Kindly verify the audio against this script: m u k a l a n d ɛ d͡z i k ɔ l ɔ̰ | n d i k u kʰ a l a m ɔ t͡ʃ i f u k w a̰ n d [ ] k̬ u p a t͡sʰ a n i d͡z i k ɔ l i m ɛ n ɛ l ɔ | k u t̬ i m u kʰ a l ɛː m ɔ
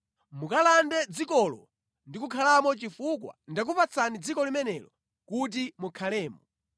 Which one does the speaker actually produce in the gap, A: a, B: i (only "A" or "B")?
A